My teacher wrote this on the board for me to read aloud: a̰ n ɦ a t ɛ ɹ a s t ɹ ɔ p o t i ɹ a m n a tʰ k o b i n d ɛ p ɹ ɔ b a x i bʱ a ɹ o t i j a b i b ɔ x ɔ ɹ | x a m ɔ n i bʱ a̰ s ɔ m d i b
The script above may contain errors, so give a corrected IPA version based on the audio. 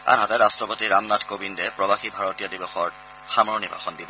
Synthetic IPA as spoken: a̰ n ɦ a t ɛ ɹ a s t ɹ ɔ p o t i ɹ a m n a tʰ k o b i n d ɛ p ɹ ɔ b a x i bʱ a ɹ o t i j a d i b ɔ x ɔ ɹ | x a m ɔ n i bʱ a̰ x ɔ n d i b